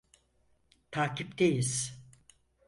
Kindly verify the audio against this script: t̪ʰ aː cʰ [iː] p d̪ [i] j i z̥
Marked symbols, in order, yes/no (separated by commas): no, no